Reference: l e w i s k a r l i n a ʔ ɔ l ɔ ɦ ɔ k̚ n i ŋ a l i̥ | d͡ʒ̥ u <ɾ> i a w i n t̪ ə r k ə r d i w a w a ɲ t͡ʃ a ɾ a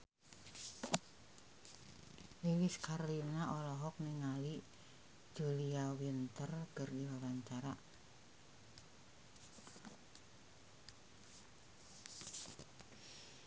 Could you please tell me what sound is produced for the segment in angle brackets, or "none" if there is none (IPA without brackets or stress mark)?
l